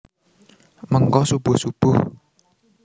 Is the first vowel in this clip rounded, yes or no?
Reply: no